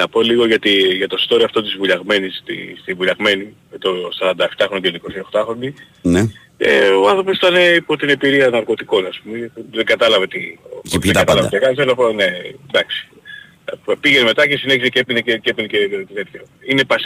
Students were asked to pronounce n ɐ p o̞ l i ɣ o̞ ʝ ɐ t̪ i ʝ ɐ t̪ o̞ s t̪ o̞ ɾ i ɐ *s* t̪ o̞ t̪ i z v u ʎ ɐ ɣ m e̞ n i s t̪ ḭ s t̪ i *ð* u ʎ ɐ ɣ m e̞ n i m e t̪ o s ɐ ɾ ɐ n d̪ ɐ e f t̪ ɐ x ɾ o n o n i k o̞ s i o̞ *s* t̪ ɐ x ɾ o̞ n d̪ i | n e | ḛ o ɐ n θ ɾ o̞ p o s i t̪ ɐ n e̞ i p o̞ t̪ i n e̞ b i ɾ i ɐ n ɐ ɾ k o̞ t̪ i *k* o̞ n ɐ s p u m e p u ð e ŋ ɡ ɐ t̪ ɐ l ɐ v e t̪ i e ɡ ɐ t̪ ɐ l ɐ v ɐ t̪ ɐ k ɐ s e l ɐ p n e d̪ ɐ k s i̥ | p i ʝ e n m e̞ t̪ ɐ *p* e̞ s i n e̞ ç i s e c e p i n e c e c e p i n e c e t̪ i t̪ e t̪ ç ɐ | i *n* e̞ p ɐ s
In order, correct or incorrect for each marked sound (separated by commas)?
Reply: incorrect, incorrect, incorrect, correct, incorrect, correct